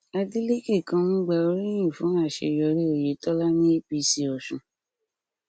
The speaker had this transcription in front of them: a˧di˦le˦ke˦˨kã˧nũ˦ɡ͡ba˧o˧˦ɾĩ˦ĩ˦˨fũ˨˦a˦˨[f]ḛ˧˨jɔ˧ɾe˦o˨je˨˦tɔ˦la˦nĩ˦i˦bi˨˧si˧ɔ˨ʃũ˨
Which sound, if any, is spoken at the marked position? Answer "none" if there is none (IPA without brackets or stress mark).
ʃ